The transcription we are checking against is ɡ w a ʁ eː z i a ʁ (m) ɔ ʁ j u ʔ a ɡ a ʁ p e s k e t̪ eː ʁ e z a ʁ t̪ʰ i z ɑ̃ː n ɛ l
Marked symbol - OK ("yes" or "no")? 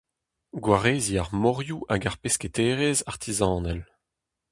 yes